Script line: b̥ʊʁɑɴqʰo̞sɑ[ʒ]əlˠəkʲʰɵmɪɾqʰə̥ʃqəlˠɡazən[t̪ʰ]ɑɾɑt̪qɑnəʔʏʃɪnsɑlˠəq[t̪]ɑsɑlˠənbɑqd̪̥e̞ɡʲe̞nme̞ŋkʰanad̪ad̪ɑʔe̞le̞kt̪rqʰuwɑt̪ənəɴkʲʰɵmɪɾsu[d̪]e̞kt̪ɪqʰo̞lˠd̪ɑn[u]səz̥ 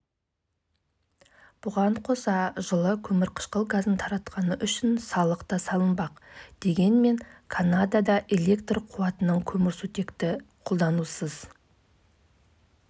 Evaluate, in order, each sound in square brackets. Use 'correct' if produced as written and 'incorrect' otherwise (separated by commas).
correct, correct, correct, incorrect, correct